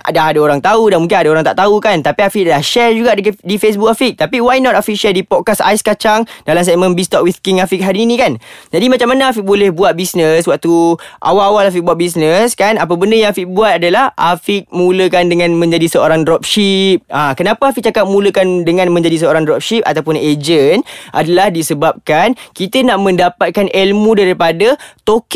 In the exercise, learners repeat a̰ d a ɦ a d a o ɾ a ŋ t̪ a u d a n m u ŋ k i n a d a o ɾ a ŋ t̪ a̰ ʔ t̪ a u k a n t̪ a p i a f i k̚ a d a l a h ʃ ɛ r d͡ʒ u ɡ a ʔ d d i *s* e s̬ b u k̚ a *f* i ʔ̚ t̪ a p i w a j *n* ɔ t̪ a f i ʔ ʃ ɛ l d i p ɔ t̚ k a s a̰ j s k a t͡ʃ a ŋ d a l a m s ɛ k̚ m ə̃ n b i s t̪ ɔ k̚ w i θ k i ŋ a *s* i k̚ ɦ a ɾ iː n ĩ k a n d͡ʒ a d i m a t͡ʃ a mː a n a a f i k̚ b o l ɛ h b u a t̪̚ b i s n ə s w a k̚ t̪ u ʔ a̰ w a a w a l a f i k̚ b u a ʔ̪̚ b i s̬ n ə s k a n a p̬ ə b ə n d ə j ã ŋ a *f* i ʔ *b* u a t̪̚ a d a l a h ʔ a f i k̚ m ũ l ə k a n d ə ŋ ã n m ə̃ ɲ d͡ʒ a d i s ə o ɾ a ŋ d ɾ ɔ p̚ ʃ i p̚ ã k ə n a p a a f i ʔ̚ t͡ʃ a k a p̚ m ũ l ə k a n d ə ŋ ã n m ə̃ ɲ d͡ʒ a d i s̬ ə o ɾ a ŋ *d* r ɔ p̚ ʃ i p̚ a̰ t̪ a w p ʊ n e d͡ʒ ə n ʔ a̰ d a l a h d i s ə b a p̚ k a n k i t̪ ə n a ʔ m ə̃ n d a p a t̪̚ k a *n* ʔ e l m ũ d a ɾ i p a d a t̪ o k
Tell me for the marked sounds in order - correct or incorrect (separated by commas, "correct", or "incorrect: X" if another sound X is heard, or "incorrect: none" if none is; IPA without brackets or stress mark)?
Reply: incorrect: f, correct, correct, incorrect: f, correct, correct, correct, correct